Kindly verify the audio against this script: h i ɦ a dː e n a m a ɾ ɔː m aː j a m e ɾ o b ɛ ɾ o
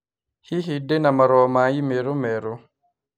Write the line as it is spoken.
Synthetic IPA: h i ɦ i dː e n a m a ɾ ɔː m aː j i m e ɾ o m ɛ ɾ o